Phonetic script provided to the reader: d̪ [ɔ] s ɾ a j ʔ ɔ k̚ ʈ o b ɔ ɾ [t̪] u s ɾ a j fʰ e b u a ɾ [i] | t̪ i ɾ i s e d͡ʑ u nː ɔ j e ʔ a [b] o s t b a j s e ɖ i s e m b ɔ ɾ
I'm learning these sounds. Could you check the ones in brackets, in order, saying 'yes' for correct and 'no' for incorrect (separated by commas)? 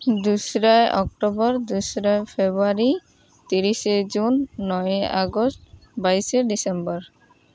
no, no, yes, no